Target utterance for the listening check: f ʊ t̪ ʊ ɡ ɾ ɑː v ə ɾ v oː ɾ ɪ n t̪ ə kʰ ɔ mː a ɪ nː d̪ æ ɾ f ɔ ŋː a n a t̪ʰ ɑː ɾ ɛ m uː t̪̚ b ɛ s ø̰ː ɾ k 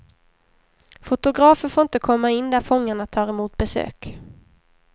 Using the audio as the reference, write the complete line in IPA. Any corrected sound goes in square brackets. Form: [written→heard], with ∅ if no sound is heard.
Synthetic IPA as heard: f ʊ t̪ ʊ ɡ ɾ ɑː [v→f] ə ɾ [v→f] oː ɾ ɪ n t̪ ə kʰ ɔ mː a ɪ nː d̪ æ ɾ f ɔ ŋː a [n→ɳ] a t̪ʰ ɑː ɾ ɛ m uː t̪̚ b ɛ s ø̰ː [ɾ→∅] k